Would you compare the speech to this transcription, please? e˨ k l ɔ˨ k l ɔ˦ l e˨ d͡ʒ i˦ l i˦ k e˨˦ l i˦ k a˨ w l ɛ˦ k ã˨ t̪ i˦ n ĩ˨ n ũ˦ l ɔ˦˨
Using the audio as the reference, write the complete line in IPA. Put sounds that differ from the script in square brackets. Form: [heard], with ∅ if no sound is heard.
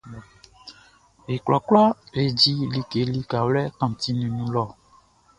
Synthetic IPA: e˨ k l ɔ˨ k l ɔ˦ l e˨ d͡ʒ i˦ l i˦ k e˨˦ l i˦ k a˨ w l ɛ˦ k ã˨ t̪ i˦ n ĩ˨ n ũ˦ l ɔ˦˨